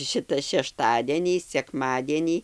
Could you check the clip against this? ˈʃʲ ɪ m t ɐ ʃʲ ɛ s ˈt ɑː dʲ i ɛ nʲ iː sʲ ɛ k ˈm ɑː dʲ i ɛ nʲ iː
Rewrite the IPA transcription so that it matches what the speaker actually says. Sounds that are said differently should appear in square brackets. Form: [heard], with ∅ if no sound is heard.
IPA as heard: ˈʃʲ ɪ [∅] t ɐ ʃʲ ɛ [ʃ] ˈt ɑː dʲ i ɛ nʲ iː sʲ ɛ k ˈm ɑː dʲ i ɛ nʲ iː